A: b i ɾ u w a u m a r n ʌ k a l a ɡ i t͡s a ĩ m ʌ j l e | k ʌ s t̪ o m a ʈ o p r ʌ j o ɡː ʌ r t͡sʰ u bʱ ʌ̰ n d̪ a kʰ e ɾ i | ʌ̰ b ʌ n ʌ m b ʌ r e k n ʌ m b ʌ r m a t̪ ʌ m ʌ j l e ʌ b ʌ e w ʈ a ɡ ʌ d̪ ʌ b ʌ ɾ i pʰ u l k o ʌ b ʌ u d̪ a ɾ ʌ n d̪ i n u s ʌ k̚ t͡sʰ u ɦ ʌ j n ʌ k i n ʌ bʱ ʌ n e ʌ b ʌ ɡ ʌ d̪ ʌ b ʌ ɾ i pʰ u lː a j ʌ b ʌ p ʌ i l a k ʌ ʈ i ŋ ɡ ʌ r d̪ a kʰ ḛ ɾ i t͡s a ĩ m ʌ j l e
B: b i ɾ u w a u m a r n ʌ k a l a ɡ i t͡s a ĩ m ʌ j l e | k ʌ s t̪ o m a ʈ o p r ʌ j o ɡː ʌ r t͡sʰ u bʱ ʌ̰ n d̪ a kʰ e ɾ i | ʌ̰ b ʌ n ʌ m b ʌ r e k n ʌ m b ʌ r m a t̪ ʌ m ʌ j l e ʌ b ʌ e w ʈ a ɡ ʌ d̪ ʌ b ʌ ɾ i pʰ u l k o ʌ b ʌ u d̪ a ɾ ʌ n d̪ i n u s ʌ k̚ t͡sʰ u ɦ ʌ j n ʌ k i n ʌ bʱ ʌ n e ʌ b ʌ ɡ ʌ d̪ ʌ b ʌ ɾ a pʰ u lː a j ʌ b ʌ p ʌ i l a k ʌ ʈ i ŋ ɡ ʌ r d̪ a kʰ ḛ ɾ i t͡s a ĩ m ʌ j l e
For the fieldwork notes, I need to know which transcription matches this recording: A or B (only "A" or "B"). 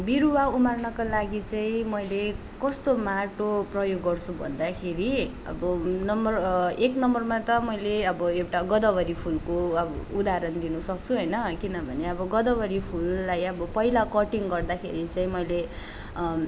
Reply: A